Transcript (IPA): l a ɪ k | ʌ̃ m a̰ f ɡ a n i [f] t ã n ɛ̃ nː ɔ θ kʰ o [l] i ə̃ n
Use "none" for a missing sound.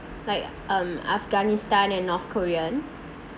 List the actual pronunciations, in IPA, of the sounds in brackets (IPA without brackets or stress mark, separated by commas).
s, ɹ